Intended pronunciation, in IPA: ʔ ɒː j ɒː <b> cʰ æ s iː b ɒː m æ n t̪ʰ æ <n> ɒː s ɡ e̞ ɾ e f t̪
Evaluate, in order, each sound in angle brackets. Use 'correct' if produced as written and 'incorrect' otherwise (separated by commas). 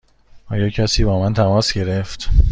incorrect, incorrect